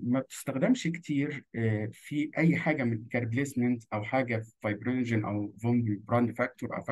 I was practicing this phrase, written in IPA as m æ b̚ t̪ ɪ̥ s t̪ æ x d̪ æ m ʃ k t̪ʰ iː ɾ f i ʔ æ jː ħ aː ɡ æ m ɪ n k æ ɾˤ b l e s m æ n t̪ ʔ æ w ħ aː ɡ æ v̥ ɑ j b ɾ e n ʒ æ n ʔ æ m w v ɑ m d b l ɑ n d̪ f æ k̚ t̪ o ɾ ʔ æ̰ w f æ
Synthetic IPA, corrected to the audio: m æ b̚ t̪ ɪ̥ s t̪ æ x d̪ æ m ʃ k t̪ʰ iː ɾ f i ʔ æ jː ħ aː ɡ æ m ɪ n k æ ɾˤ b l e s m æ n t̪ ʔ æ w ħ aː ɡ æ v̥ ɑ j b ɾ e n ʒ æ n ʔ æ w v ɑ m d b ɾ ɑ n d̪ f æ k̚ t̪ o ɾ ʔ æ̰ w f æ